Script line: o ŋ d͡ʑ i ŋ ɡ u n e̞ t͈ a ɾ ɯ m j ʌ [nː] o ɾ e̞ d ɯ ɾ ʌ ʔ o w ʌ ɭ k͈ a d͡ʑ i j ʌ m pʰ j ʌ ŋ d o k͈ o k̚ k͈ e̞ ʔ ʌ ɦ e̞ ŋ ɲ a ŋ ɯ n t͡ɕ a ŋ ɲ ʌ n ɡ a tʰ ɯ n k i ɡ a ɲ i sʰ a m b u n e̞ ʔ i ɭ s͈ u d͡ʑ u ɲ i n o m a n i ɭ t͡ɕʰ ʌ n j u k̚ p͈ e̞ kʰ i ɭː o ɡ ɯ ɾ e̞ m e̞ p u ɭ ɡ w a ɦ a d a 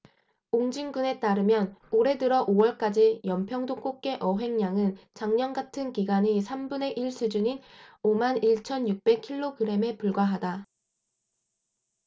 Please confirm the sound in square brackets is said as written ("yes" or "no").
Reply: no